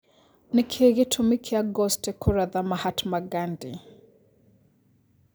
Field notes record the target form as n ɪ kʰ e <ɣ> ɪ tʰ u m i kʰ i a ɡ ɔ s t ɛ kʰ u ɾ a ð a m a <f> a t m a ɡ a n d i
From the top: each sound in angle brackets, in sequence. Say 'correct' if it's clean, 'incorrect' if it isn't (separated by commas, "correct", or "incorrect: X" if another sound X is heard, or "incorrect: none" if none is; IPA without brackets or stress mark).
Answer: correct, incorrect: h